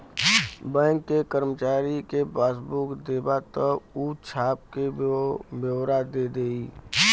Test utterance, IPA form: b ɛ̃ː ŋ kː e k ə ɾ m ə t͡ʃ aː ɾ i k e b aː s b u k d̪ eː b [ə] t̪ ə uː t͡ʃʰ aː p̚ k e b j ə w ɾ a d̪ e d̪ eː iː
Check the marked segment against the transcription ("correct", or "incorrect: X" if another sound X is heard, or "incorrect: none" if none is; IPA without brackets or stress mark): incorrect: a